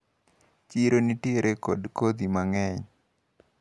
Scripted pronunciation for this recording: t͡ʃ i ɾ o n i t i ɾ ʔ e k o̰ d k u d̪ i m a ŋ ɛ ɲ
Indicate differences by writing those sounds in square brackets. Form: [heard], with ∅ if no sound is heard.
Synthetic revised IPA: t͡ʃ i ɾ o n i t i ɾ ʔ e k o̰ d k [o] d̪ i m a ŋ ɛ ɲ